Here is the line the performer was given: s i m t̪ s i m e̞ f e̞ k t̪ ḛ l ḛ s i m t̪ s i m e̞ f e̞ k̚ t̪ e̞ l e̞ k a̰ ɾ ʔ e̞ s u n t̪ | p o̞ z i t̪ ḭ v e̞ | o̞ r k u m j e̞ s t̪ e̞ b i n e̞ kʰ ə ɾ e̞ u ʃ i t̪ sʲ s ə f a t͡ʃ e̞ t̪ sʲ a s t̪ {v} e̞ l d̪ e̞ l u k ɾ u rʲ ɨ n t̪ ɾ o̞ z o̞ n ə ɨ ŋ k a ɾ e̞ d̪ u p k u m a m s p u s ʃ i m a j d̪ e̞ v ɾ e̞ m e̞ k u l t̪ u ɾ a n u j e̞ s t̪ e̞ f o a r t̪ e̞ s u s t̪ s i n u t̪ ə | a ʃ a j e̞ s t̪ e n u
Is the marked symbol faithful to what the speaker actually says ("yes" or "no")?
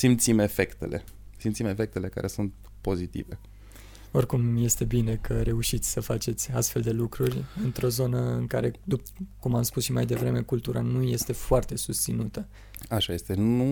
no